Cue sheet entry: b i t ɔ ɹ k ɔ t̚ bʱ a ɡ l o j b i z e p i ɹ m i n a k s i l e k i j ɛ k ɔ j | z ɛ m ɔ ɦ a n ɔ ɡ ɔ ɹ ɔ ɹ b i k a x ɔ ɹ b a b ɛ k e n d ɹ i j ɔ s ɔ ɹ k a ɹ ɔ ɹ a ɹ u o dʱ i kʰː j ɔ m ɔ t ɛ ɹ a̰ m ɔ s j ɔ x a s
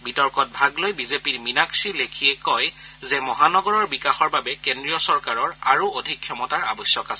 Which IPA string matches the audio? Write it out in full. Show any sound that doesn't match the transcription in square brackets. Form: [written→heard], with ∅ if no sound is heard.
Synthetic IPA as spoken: b i t ɔ ɹ k ɔ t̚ bʱ a ɡ l o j b i z e p i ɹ m i n a k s i l e [k→kʰ] i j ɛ k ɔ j | z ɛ m ɔ ɦ a n ɔ ɡ ɔ ɹ ɔ ɹ b i k a x ɔ ɹ b a b ɛ k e n d ɹ i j ɔ s ɔ ɹ k a ɹ ɔ ɹ a ɹ u o dʱ i kʰː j ɔ m ɔ t [ɛ→a] ɹ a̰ [m→b] ɔ s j ɔ [x→k] a s